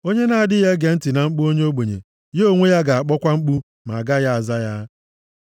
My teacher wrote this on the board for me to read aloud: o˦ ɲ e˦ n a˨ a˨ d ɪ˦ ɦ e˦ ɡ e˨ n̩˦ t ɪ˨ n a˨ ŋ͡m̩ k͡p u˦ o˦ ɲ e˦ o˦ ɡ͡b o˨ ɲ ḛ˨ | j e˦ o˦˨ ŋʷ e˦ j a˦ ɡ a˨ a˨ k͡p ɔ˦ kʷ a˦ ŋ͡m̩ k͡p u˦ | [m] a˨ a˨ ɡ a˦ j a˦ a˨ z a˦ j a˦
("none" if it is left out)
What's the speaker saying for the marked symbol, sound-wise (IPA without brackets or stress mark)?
m